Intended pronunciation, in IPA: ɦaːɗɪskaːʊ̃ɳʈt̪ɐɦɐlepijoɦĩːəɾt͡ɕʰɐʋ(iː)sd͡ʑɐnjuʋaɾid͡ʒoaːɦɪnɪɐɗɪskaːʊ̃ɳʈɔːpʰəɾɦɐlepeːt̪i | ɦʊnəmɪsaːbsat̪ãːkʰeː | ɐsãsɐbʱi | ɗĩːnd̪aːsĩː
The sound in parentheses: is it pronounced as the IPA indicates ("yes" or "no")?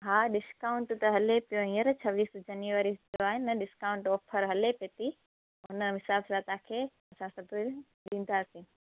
yes